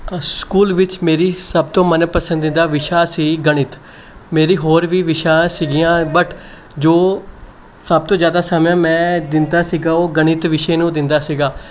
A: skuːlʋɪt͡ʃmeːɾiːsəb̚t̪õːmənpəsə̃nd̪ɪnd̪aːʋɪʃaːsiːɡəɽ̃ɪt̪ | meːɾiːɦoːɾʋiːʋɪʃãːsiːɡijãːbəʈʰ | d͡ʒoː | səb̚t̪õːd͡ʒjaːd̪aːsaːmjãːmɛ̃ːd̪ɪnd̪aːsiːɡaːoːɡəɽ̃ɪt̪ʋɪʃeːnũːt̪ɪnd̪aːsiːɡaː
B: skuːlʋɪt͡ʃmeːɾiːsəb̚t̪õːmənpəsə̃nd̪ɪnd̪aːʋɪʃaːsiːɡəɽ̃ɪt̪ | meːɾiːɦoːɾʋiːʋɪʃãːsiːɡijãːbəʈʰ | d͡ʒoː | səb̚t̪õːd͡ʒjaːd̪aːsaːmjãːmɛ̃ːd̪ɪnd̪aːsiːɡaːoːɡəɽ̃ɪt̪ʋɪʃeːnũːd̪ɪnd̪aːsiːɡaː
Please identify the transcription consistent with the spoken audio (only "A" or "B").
B